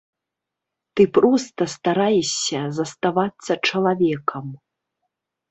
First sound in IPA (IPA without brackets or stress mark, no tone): t̪